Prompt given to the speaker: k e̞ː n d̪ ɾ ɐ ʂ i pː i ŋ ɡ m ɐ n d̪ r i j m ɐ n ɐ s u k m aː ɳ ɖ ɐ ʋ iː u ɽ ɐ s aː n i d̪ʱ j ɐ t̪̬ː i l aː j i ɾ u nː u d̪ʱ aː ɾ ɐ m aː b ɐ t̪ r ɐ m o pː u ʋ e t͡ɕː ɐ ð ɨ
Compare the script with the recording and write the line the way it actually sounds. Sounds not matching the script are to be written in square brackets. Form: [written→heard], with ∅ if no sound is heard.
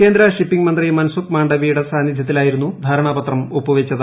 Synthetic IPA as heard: k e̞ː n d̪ ɾ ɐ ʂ i pː i ŋ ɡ m ɐ n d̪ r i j m ɐ n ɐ s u k m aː ɳ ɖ ɐ ʋ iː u ɽ ɐ s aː n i d̪ʱ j ɐ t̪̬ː i l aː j i ɾ u nː u d̪ʱ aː ɾ ɐ [m→ɳ] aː b ɐ t̪ r ɐ m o pː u ʋ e t͡ɕː ɐ ð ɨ